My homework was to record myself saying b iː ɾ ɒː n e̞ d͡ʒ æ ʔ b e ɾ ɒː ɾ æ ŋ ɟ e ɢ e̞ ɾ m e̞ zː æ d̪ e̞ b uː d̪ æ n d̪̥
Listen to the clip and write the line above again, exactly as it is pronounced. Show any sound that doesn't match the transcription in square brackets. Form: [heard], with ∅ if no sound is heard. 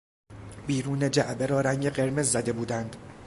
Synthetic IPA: b iː ɾ [uː] n e̞ d͡ʒ æ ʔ b e ɾ ɒː ɾ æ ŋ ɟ e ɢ e̞ ɾ m e̞ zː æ d̪ e̞ b uː d̪ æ n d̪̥